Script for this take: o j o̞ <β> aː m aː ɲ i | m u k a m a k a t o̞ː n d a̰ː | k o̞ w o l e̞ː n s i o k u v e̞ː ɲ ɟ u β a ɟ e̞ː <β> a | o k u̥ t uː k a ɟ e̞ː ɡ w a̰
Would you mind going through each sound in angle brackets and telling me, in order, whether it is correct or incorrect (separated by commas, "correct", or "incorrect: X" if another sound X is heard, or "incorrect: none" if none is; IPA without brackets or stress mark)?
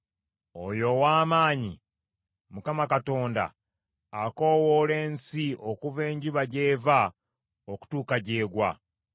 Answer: incorrect: w, incorrect: v